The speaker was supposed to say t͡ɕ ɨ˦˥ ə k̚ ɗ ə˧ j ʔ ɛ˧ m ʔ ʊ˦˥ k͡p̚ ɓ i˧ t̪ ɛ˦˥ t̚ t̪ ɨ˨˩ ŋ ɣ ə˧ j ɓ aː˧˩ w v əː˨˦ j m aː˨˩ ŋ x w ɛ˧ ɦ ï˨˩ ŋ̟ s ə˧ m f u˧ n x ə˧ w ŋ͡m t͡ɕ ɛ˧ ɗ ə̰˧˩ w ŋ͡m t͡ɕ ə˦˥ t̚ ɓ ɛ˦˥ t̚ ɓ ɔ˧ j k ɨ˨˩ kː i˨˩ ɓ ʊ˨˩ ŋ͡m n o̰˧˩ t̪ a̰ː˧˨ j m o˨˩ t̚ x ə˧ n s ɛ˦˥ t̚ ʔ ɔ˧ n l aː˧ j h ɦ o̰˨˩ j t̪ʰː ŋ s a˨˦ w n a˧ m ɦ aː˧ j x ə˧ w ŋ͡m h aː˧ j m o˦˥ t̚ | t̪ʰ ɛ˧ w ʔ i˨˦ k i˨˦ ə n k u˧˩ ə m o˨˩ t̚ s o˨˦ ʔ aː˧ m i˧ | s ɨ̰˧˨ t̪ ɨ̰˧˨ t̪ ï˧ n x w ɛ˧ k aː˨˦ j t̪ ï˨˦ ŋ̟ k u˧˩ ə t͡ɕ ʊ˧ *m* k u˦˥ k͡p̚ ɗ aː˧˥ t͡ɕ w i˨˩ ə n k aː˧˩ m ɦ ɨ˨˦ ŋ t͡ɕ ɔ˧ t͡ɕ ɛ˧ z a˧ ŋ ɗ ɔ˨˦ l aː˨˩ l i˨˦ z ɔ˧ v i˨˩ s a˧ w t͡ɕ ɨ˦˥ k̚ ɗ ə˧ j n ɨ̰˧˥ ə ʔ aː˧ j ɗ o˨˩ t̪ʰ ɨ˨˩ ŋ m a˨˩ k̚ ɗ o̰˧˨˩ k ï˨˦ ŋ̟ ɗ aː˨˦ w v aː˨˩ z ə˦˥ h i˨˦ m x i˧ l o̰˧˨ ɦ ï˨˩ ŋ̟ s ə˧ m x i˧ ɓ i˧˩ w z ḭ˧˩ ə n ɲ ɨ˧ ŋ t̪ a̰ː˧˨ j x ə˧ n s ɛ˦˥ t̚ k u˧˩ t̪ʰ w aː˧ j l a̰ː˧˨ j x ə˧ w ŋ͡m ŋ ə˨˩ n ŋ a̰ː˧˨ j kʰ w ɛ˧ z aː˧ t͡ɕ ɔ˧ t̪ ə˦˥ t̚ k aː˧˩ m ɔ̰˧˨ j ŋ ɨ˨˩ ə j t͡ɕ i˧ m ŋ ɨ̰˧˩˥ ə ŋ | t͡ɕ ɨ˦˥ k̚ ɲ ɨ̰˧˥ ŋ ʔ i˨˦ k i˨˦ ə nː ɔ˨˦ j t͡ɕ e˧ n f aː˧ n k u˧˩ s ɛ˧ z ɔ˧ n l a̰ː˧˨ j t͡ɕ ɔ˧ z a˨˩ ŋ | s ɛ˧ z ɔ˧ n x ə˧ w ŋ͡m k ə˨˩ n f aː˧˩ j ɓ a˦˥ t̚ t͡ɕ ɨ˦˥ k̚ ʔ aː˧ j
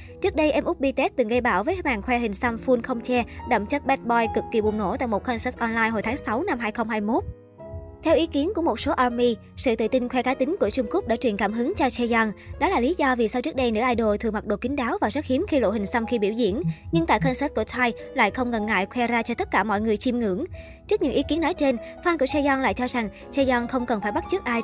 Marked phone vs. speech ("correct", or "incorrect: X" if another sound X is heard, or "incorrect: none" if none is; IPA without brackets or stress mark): incorrect: ŋ͡m